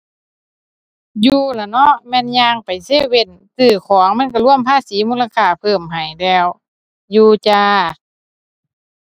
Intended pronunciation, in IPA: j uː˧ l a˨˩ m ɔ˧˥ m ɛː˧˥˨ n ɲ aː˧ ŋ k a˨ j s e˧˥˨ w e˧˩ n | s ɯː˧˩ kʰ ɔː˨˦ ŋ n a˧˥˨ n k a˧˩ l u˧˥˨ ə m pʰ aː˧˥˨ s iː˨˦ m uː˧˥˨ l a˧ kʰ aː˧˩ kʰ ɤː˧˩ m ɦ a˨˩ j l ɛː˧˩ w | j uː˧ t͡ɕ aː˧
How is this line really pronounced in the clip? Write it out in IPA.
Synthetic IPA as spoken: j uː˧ l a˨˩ n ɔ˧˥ m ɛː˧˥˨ n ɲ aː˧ ŋ p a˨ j s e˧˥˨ w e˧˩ n | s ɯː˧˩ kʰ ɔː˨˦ ŋ m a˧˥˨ n k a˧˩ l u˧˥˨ ə m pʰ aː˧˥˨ s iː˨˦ m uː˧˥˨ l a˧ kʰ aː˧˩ pʰ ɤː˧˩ m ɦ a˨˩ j l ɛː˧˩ w | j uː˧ t͡ɕ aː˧